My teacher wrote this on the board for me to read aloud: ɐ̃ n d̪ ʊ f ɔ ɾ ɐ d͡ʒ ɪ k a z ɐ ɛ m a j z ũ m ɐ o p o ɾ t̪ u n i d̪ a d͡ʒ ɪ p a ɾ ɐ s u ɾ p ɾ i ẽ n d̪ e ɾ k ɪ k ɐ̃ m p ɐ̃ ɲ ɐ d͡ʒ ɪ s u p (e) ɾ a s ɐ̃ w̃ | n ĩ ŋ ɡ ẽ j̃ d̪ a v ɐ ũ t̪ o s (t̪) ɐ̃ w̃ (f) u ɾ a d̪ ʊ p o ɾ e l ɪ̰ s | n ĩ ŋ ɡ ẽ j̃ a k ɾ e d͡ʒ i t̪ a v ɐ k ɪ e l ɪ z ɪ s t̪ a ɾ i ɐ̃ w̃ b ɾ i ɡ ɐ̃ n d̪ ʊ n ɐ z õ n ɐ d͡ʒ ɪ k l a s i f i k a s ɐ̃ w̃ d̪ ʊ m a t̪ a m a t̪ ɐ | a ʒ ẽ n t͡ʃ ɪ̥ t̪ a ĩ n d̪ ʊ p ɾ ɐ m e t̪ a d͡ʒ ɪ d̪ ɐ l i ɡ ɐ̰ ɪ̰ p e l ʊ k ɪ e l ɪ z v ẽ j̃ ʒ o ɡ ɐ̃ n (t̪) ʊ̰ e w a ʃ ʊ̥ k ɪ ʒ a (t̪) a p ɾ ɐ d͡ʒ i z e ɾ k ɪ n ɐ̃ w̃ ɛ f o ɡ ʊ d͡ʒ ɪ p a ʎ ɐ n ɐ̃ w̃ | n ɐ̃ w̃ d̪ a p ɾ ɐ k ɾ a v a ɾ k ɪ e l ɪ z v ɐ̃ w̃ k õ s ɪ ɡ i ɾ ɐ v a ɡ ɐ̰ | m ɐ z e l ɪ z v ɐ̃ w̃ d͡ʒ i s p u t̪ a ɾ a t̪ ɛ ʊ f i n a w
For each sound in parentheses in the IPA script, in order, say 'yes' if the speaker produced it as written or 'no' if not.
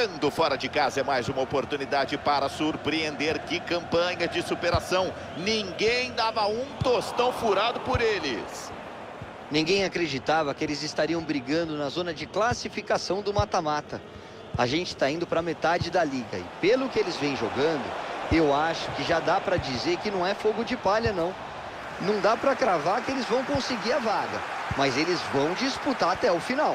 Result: yes, yes, yes, no, no

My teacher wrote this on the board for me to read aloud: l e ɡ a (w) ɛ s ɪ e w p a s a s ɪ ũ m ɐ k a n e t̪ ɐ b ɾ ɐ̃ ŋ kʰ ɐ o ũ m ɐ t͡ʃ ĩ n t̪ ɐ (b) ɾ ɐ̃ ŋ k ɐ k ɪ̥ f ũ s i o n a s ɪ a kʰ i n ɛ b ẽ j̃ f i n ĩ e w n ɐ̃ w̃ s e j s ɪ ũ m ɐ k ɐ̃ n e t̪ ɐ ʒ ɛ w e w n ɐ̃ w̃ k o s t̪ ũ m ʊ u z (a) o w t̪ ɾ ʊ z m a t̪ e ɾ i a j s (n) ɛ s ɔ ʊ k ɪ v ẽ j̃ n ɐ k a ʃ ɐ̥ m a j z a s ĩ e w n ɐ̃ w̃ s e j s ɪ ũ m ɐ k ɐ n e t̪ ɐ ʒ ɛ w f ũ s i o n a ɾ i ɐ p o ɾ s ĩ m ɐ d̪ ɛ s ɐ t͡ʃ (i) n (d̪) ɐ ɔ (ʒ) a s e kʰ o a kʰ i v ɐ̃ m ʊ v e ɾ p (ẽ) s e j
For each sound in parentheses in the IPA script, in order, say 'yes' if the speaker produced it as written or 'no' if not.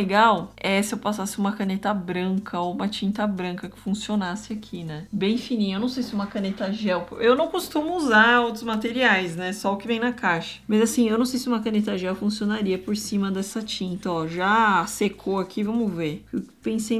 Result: yes, yes, yes, yes, no, no, yes, yes

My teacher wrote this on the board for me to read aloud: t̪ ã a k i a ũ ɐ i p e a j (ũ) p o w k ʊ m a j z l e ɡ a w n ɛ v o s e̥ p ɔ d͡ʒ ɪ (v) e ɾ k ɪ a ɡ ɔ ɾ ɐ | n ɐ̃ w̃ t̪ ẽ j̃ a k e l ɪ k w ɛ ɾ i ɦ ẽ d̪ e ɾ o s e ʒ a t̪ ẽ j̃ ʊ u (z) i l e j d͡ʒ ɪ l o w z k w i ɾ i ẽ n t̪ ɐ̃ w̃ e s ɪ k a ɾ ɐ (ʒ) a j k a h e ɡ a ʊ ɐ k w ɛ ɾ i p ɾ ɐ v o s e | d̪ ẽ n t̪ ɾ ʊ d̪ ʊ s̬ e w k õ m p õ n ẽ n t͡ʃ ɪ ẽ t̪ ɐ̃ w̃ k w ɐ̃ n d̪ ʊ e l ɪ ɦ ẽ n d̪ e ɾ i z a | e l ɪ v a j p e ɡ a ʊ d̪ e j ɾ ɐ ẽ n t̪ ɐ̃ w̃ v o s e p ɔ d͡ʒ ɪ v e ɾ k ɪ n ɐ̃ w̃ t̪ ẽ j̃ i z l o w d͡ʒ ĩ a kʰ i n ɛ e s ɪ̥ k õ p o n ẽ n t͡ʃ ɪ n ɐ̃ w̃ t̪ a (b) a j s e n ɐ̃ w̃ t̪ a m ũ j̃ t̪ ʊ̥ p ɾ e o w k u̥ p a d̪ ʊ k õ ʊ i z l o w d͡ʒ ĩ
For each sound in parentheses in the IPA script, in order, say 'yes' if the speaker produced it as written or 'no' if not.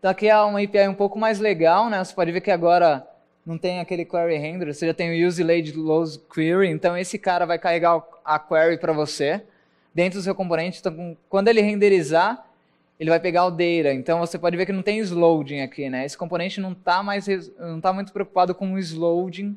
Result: yes, yes, yes, no, no

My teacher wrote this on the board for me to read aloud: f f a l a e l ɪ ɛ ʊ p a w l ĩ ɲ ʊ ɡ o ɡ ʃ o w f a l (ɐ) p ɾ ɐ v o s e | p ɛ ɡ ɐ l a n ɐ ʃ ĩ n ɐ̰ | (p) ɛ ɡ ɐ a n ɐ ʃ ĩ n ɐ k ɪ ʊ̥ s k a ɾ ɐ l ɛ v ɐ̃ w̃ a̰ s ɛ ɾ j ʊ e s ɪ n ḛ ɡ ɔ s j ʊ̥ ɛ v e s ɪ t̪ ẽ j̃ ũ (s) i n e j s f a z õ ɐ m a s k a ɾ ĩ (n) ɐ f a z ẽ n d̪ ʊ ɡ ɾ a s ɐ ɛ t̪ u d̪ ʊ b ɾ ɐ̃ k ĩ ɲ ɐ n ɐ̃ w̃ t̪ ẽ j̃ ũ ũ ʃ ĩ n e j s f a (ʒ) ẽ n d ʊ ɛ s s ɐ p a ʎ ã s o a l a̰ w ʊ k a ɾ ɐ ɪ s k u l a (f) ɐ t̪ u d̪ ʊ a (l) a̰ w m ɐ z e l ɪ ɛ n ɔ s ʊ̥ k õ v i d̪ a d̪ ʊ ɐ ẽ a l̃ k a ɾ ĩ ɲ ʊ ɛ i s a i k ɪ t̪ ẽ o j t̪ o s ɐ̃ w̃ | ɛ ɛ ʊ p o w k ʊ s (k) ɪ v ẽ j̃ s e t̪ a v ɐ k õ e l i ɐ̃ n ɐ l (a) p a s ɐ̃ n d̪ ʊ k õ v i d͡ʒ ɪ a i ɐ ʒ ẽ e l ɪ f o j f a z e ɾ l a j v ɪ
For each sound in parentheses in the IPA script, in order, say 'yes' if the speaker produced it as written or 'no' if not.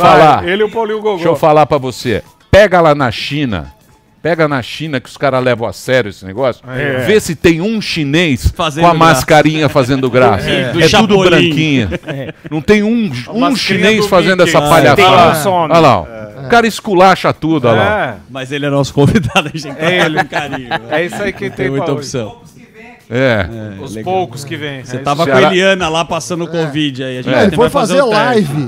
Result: no, yes, no, no, no, no, yes, yes, yes

